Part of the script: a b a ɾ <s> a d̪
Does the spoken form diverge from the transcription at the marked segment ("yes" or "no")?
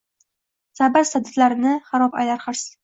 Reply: no